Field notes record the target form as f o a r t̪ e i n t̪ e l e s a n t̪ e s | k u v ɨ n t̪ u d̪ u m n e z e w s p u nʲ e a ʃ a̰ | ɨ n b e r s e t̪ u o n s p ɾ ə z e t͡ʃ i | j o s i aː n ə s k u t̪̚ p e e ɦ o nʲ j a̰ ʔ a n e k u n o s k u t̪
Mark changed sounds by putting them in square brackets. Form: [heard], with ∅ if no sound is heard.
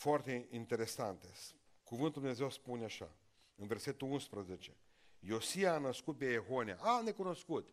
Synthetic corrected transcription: f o a r t̪ e i n t̪ e [ɾ] e s a n t̪ e s | k u v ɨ n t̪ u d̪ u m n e z e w s p u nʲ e a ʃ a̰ | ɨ n [v] e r s e t̪ u [u] n s p ɾ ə z e t͡ʃ [e] | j o s i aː n ə s k u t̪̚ p e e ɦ o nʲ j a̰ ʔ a n e k u n o s k u t̪